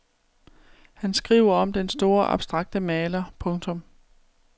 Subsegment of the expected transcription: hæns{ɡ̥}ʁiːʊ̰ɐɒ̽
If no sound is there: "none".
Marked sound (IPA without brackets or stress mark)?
ɡ̥